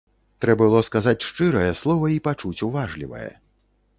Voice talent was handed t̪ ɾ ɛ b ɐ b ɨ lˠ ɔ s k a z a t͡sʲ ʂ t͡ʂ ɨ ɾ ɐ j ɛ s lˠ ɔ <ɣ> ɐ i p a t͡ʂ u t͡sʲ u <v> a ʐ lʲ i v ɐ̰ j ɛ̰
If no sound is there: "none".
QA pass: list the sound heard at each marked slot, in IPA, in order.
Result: v, v

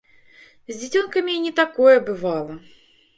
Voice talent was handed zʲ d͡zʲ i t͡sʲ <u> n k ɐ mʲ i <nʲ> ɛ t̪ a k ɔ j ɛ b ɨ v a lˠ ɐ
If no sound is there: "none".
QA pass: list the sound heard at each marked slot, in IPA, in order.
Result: ɔ, nʲ

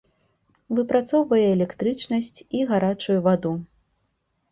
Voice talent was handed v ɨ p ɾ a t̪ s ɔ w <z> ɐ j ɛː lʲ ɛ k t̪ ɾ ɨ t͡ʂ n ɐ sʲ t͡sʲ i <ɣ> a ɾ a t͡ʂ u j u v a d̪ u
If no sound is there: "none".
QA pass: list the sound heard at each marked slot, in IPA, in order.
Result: v, ɣ

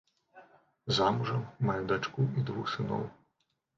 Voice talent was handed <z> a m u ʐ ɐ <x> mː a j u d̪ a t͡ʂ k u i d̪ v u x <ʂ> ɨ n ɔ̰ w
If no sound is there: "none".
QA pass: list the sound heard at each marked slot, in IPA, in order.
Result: z, none, s

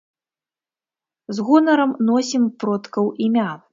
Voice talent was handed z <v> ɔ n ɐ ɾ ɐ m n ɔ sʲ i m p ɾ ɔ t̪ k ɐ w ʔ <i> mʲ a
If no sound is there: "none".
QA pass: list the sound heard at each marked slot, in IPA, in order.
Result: ɣ, i

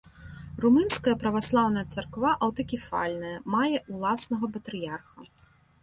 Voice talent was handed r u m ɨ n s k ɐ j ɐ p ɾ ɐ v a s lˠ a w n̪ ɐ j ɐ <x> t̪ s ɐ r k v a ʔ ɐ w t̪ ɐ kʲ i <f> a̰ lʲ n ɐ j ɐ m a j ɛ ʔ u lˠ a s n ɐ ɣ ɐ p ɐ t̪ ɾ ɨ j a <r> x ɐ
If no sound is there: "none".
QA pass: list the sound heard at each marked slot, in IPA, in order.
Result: none, f, r

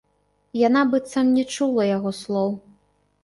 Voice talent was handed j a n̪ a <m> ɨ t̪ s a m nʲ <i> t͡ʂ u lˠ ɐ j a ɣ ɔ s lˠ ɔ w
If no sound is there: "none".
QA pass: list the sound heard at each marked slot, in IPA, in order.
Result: b, ɛ

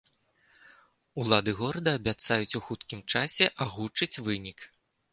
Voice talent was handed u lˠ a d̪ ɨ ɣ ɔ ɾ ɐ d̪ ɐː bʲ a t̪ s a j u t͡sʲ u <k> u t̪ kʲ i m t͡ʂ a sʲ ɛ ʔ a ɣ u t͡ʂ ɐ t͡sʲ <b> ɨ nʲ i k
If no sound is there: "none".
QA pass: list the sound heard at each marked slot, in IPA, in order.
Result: x, v

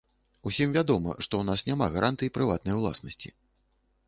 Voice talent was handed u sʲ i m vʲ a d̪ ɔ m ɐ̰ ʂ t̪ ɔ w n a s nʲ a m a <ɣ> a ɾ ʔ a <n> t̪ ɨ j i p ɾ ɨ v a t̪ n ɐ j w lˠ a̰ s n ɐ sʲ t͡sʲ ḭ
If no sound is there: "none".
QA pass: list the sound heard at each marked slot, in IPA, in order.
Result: ɣ, n

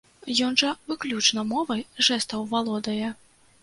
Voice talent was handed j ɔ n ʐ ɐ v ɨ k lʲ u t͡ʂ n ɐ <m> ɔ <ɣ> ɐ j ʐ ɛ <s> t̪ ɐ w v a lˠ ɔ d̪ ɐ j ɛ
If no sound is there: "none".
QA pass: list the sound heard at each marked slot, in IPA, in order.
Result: m, v, s

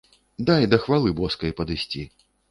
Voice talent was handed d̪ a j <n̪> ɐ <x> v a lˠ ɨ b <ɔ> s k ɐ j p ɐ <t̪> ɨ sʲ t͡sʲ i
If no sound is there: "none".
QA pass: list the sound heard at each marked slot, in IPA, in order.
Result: d̪, x, ɔ, d̪

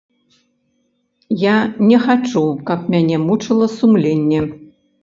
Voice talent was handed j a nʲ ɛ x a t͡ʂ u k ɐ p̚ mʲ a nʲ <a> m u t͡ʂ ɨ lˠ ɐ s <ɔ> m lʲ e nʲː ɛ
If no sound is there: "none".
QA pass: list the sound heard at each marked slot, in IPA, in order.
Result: ɛ, u

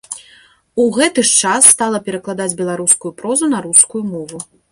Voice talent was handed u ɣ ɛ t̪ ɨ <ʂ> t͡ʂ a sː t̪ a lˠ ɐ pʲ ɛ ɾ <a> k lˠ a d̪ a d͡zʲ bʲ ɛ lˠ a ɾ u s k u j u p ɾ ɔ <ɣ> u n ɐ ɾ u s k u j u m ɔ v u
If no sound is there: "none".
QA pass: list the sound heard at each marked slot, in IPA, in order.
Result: ʂ, ɐ, z

